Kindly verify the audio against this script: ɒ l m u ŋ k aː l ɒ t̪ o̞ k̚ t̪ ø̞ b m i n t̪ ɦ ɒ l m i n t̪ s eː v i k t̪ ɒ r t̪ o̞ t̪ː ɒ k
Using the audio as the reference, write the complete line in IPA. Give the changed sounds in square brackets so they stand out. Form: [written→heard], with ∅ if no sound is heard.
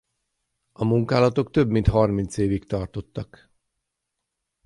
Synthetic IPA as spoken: ɒ [l→∅] m u ŋ k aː l ɒ t̪ o̞ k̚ t̪ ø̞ b m i n t̪ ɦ ɒ [l→r] m i n t̪ s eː v i k t̪ ɒ r t̪ o̞ t̪ː ɒ k